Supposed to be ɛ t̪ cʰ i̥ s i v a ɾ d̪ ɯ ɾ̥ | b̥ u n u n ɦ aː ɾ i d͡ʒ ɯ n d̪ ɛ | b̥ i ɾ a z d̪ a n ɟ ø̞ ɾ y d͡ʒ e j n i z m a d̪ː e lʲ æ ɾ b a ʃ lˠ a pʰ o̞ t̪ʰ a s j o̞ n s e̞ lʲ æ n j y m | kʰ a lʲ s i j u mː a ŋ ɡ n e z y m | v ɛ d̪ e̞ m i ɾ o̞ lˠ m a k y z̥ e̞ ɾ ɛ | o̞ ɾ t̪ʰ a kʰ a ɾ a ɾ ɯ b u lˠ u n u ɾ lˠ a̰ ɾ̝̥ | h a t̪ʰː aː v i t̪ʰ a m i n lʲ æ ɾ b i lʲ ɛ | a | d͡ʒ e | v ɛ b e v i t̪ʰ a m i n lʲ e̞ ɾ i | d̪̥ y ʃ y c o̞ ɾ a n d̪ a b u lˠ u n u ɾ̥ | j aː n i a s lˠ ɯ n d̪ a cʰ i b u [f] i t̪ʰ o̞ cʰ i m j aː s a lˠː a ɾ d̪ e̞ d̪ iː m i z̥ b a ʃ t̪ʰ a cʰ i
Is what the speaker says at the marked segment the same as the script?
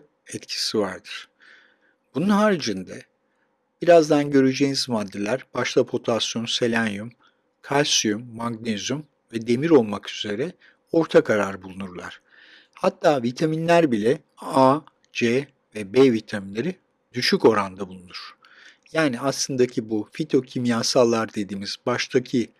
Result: yes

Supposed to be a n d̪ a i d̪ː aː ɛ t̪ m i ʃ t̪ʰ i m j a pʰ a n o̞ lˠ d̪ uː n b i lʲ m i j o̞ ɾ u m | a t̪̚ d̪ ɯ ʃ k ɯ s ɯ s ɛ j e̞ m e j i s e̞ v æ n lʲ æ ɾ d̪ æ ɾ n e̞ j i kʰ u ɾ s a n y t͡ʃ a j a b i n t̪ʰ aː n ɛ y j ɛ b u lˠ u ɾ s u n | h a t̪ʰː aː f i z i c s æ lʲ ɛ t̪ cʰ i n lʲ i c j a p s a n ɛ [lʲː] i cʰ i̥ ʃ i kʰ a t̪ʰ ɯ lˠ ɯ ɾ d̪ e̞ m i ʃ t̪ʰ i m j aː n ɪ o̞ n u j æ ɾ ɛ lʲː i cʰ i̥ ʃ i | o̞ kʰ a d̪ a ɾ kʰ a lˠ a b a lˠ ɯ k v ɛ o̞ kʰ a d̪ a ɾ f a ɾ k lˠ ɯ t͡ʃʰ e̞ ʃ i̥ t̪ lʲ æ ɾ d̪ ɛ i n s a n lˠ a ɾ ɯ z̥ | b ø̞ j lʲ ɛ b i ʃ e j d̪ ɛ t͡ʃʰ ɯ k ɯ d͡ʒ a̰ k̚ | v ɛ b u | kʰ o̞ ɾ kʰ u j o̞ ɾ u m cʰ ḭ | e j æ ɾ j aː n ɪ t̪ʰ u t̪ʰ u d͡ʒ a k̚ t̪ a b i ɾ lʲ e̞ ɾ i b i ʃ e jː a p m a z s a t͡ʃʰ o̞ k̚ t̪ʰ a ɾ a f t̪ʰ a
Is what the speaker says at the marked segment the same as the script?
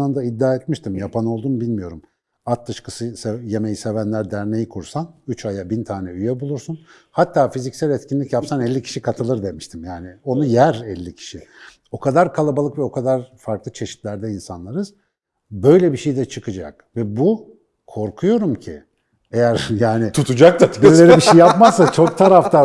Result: yes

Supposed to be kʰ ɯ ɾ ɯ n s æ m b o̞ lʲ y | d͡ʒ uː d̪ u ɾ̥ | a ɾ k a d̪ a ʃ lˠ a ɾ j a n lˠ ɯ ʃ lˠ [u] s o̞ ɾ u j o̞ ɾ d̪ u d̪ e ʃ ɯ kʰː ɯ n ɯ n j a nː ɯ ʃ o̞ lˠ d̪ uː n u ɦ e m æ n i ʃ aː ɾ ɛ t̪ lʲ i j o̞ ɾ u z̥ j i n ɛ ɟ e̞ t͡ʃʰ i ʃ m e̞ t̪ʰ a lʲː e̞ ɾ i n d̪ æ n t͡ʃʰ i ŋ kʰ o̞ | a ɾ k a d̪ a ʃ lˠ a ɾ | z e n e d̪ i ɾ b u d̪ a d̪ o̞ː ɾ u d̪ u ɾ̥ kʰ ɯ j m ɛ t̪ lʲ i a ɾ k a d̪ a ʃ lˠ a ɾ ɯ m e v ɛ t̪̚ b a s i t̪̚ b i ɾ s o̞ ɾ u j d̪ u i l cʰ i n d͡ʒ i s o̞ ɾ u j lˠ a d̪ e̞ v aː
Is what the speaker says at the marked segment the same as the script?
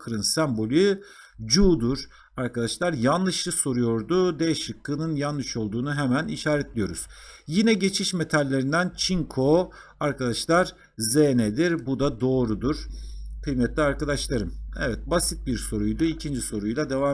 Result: no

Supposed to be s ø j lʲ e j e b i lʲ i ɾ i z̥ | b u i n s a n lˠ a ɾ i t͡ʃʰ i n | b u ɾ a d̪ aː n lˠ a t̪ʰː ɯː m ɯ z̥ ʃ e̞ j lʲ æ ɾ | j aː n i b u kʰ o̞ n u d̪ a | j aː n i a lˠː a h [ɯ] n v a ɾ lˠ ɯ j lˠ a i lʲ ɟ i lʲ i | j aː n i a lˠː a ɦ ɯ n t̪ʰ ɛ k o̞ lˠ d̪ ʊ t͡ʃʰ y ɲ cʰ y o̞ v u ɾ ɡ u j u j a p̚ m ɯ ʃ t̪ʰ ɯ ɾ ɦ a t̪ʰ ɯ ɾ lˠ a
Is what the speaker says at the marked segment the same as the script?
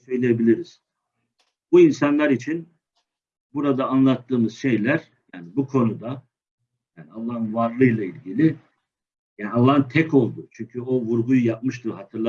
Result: yes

